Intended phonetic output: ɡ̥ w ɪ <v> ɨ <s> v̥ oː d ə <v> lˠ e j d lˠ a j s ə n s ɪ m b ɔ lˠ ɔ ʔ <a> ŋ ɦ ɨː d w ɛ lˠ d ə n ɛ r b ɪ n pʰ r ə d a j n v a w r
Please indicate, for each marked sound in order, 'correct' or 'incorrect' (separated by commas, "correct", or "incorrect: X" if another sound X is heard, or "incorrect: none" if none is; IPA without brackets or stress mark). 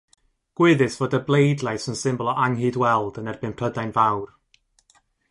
incorrect: ð, correct, incorrect: b, correct